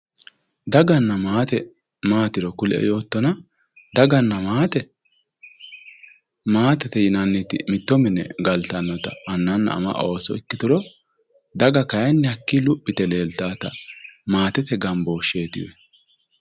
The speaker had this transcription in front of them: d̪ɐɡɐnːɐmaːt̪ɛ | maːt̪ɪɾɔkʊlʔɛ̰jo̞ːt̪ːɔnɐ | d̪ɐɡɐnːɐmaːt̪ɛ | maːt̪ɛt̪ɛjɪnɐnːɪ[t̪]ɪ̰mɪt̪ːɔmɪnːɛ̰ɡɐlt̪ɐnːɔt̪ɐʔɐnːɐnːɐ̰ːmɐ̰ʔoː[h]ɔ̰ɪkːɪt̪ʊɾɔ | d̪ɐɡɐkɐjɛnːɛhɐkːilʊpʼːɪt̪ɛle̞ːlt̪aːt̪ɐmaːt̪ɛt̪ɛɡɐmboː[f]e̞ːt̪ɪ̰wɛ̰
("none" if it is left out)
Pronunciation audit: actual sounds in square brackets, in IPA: t̪, s, ʃ

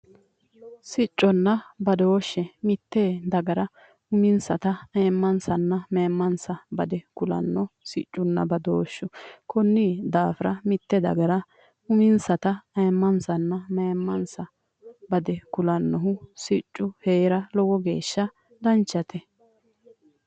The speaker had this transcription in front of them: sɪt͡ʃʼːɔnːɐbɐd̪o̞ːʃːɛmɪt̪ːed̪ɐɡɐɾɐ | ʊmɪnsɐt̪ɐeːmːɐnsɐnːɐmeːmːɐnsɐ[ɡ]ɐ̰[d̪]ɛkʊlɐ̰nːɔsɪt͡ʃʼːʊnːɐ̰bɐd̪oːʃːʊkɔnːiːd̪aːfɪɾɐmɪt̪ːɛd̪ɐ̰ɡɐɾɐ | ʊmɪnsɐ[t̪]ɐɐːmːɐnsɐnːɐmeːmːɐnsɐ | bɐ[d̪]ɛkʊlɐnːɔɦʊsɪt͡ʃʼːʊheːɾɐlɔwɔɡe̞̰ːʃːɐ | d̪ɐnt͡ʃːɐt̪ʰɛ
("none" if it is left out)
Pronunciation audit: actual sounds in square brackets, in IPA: b, d̪, t̪, d̪

